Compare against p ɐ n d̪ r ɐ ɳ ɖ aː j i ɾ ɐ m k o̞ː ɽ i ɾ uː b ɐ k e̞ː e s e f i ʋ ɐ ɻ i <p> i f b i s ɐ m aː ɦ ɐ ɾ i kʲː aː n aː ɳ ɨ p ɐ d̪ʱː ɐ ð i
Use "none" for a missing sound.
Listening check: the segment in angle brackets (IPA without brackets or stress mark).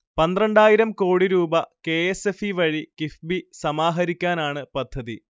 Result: k